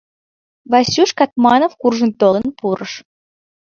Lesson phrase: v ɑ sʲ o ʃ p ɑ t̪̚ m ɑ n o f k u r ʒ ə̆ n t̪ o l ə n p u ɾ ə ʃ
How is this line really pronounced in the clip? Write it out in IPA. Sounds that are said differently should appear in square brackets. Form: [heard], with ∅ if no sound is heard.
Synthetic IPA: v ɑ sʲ [u] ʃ [k] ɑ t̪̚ m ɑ n o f k u r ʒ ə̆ n t̪ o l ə n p u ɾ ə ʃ